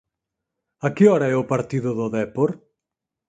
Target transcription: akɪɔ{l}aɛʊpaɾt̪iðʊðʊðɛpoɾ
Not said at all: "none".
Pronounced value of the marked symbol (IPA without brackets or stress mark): ɾ